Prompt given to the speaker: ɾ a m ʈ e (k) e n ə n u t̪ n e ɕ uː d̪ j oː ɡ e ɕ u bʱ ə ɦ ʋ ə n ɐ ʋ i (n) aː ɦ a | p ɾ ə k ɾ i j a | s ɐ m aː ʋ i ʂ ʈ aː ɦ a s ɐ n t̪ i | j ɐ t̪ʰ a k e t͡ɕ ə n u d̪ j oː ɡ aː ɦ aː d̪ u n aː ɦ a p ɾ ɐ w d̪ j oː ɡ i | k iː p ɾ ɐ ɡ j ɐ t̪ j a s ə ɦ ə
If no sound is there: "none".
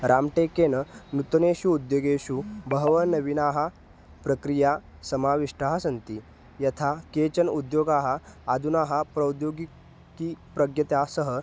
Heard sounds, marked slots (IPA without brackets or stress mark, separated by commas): k, n